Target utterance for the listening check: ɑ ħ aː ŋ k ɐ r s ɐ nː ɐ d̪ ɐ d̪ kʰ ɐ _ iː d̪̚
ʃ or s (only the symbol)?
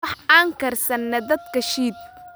ʃ